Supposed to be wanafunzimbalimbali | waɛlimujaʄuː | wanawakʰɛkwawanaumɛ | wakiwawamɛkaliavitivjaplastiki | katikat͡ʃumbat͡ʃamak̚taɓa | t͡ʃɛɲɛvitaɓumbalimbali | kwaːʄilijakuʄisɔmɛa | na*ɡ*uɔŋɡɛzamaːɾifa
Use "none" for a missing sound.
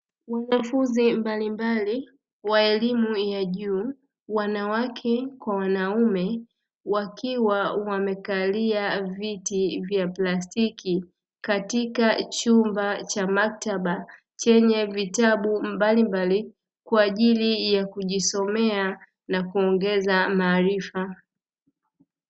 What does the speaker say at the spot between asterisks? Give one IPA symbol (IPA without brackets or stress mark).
k